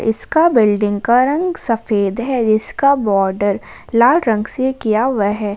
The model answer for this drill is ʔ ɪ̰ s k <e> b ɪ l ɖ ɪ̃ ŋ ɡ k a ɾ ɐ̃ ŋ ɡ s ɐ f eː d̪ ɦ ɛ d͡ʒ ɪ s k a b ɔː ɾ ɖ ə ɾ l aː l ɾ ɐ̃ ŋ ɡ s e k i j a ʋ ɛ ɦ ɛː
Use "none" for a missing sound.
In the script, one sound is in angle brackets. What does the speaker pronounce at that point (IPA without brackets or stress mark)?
a